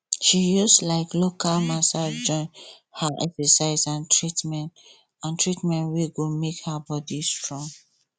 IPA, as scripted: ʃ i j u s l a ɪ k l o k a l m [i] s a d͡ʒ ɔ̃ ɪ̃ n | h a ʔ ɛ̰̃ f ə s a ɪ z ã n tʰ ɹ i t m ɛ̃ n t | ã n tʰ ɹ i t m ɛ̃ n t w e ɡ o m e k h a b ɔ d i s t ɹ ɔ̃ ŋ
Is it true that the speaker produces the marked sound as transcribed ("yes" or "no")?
no